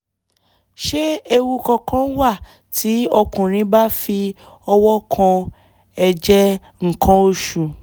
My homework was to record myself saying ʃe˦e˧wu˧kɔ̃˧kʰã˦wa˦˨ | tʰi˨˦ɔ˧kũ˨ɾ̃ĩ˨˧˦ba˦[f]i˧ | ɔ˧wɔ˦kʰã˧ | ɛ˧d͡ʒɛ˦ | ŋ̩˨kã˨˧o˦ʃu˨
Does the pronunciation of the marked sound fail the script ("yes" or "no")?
no